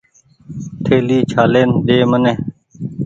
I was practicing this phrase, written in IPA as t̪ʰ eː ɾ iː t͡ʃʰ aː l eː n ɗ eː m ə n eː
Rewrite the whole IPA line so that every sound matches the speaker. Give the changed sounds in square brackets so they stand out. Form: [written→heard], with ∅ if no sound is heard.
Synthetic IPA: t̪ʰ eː [ɾ→l] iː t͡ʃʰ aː l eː n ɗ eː m ə n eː